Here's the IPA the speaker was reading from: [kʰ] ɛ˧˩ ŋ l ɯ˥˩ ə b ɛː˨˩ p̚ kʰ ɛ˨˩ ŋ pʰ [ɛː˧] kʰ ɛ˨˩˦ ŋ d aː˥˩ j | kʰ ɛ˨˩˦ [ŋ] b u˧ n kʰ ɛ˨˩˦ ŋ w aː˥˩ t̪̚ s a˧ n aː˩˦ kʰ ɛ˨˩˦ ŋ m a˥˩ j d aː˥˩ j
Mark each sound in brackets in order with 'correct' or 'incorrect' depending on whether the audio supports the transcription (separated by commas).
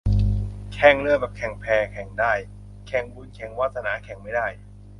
correct, correct, correct